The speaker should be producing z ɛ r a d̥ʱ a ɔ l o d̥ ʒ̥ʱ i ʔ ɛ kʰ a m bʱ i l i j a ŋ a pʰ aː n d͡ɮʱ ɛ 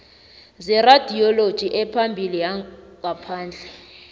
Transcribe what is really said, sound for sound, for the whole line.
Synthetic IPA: z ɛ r a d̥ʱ i ɔ l o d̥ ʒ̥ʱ i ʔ ɛ pʰ a m bʱ i l i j a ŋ a pʰ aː n d͡ɮʱ ɛ